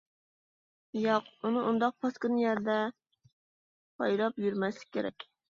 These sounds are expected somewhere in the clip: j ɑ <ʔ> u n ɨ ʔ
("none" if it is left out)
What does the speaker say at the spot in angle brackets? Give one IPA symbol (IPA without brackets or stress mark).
q